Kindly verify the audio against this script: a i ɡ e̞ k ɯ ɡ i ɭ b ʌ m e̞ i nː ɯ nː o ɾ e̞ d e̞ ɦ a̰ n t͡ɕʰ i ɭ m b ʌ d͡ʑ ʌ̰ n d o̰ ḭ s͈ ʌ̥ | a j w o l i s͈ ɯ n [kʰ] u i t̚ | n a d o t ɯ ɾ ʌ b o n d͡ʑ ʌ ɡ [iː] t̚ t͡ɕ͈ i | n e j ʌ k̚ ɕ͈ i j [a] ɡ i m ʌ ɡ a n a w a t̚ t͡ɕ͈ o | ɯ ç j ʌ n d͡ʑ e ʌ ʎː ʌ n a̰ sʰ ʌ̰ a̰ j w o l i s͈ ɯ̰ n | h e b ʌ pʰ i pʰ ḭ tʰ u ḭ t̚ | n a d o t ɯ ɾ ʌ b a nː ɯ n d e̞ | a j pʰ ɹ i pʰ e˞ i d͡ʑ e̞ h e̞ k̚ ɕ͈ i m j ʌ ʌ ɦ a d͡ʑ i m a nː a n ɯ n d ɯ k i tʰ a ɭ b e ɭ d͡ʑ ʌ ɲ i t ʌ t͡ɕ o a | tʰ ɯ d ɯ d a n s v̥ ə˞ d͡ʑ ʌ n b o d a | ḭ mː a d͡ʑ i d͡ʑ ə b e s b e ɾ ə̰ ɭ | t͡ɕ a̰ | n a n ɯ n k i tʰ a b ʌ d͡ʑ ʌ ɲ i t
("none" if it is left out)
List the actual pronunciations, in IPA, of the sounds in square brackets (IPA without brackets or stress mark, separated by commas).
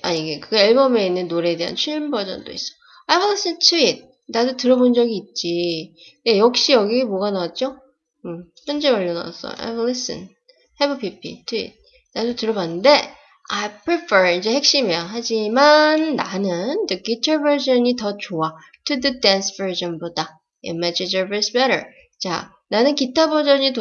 tʰ, iː, ʌ